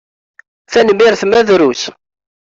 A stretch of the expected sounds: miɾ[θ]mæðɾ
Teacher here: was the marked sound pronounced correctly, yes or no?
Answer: yes